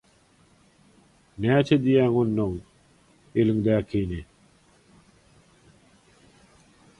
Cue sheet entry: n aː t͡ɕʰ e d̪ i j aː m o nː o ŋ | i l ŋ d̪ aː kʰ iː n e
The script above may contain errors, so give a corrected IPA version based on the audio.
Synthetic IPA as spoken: n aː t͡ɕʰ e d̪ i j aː ŋ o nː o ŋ | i l ŋ d̪ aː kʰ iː n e

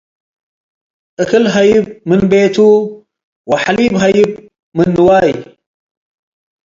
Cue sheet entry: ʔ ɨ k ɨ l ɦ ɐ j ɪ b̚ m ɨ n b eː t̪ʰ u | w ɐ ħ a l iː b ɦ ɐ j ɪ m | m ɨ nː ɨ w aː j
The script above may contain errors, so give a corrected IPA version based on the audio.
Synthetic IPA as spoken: ʔ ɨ k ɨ l ɦ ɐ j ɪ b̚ m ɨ n b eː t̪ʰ u | w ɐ ħ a l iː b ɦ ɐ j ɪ b | m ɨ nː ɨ w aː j

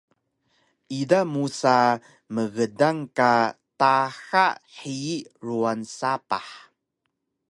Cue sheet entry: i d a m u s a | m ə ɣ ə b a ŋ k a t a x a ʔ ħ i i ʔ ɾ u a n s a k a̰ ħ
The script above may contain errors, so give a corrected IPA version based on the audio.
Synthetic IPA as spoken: i d a m u s a | m ə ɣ ə d a ŋ k a t a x a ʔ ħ i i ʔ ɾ u a n s a p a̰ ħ

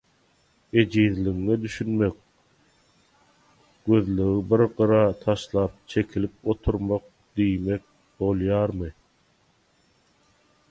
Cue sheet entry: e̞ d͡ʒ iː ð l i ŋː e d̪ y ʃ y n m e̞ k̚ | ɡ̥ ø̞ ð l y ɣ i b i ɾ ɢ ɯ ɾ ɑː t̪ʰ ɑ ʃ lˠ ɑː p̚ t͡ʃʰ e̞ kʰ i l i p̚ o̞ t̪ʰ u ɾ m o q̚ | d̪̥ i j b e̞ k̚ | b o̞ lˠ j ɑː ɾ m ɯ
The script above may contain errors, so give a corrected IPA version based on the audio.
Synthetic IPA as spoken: e̞ d͡ʒ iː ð l i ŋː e d̪ y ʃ y n m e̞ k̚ | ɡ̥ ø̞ ð l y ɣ i b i ɾ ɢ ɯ ɾ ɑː t̪ʰ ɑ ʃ lˠ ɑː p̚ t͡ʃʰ e̞ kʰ i l i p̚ o̞ t̪ʰ u ɾ m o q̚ | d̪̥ i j m e̞ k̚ | b o̞ lˠ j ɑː ɾ m ɯ

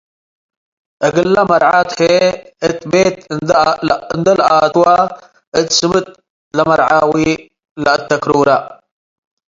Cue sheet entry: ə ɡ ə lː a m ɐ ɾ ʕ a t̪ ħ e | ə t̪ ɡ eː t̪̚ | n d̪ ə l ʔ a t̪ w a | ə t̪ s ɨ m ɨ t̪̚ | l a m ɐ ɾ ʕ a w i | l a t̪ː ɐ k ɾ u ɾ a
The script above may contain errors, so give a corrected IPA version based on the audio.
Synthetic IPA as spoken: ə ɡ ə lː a m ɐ ɾ ʕ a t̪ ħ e | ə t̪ b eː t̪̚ | n d̪ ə l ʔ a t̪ w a | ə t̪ s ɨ m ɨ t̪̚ | l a m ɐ ɾ ʕ a w i | l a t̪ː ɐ k ɾ u ɾ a

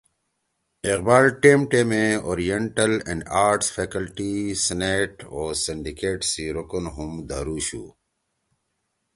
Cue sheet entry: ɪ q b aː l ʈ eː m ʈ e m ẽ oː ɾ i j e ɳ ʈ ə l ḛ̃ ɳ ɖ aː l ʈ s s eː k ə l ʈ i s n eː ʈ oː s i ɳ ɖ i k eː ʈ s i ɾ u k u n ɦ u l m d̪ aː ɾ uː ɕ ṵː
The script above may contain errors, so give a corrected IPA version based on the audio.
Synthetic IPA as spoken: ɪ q b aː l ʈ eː m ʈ e m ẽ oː ɾ i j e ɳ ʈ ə l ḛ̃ ɳ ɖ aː ɾ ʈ s f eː k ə l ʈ i s n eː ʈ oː s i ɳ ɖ i k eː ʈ s i ɾ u k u n ɦ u m d̪ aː ɾ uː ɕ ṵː

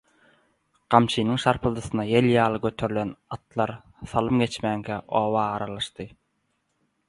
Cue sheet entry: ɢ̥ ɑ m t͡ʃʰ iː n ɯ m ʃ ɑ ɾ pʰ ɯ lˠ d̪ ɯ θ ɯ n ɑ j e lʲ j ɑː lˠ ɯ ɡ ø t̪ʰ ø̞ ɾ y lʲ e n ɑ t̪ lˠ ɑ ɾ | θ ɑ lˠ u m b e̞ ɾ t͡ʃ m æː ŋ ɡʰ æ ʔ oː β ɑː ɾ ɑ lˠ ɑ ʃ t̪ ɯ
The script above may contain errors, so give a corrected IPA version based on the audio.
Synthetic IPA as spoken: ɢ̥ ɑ m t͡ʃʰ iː n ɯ ŋ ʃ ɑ ɾ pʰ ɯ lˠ d̪ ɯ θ ɯ n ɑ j e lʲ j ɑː lˠ ɯ ɡ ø t̪ʰ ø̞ ɾ y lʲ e n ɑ t̪ lˠ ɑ ɾ | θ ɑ lˠ ɯ m ɡ e̞ t͡ʃ m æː ŋ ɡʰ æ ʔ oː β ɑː ɾ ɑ lˠ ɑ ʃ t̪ ɯ

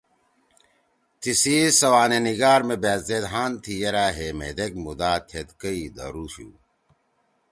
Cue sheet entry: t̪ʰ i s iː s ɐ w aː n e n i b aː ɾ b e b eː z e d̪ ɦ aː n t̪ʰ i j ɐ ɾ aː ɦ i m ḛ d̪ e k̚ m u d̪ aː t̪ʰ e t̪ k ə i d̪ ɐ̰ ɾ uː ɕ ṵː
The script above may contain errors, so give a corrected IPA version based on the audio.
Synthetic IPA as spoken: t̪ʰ i s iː s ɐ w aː n e n i ɡ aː ɾ m e b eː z e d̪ ɦ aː n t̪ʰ i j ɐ ɾ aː ɦ e m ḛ d̪ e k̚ m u d̪ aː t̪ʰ e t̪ k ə i d̪ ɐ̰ ɾ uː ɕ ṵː

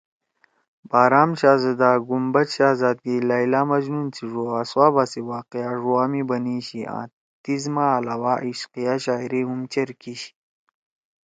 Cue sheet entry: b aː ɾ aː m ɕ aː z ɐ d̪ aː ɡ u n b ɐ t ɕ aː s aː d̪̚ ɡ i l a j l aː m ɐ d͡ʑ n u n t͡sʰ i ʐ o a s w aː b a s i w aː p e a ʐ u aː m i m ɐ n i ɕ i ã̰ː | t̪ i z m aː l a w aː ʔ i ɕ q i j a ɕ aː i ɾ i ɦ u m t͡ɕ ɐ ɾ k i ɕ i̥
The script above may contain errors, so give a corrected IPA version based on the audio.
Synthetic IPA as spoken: b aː ɾ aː m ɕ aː z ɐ d̪ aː ɡ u m b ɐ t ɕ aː z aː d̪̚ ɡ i l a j l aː m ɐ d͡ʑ n u n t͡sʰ i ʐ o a s w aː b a s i w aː q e a ʐ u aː m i b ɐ n i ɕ i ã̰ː | t̪ i z m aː l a w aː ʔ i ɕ q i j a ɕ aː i ɾ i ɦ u m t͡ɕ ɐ ɾ k i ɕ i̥

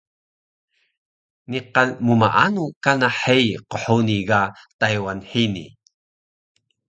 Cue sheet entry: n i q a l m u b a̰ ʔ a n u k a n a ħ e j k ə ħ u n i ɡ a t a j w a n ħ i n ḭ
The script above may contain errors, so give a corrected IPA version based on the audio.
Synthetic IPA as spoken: n i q a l m u m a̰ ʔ a n u k a n a ħ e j q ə ħ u n i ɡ a t a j w a n ħ i n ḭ

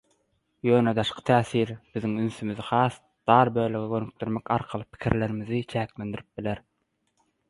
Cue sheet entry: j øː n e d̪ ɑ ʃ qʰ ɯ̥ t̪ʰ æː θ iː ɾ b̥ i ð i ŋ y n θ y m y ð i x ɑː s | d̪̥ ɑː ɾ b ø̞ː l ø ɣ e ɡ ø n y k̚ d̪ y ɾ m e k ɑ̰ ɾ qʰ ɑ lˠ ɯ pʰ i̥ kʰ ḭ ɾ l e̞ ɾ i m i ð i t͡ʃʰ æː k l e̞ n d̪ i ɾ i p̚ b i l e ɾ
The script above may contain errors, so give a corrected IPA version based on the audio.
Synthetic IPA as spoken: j øː n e d̪ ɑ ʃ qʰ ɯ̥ t̪ʰ æː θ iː ɾ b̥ i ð i ŋ y n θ y m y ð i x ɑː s | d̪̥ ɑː ɾ b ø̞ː l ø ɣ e ɡ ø n y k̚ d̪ y ɾ m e k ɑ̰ ɾ qʰ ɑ lˠ ɯ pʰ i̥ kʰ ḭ ɾ l e̞ ɾ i m i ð i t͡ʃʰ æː k l e̞ n d̪ i ɾ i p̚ b i l e ɾ

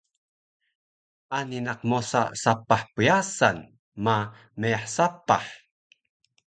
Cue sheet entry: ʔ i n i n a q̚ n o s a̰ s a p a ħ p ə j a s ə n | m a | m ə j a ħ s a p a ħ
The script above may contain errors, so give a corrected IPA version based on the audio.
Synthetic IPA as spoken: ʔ a n i n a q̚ m o s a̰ s a p a ħ p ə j a s a n | m a | m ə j a ħ s a p a ħ

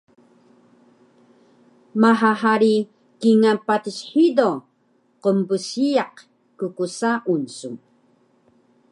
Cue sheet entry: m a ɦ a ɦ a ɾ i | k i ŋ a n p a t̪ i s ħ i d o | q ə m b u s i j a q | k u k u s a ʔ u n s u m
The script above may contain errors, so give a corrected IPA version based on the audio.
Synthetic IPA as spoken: m a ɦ a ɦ a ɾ i | k i ŋ a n p a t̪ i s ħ i d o | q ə m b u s i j a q | k u k u s a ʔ u n s u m

